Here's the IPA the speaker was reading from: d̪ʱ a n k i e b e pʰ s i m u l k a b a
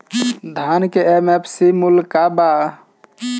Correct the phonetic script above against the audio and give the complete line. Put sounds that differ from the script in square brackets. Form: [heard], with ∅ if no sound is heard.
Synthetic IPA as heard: d̪ʱ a n k [e] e [m] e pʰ s i m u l k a b a

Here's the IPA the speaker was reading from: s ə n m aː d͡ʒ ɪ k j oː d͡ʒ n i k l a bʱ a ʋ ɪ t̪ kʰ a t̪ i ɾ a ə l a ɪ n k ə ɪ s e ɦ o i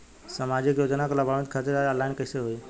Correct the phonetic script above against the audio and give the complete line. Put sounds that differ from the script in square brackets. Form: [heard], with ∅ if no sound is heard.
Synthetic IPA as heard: s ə [∅] m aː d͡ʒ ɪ k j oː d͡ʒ n [a] k l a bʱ a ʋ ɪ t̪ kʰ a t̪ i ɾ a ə l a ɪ n k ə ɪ s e ɦ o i

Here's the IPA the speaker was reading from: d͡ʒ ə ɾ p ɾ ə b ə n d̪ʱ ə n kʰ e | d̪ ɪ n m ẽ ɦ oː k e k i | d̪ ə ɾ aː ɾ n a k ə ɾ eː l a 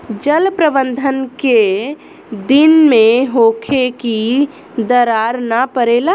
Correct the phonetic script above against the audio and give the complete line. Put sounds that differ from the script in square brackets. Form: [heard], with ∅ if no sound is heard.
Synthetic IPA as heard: d͡ʒ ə [l] p ɾ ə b ə n d̪ʱ ə n [k] e | d̪ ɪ n m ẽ ɦ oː [kʰ] e k i | d̪ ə ɾ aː ɾ n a [p] ə ɾ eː l a

